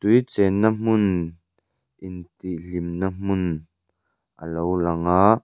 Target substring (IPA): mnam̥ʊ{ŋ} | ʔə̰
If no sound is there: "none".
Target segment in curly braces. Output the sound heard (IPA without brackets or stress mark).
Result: n